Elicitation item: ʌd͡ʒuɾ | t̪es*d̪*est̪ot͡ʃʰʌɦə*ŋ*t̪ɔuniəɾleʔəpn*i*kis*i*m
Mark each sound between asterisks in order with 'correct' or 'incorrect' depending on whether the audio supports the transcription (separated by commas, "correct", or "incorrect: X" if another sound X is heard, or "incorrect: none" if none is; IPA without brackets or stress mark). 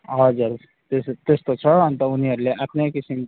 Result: incorrect: t̪, incorrect: n, incorrect: e, correct